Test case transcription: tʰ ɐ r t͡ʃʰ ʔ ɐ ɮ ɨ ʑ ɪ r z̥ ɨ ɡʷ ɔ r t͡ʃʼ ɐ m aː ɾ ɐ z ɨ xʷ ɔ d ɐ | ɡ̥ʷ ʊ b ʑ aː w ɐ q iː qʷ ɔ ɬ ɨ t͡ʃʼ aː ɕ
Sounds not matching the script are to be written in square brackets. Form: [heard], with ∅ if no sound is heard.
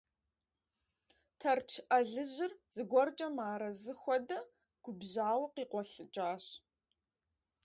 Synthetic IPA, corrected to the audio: tʰ ɐ r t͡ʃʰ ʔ ɐ ɮ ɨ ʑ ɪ r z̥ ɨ ɡʷ ɔ r t͡ʃʼ ɐ m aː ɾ ɐ z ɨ xʷ ɔ d ɐ | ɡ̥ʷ ʊ b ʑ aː w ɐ q iː qʷ ɔ ɬ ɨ t͡ʃʼ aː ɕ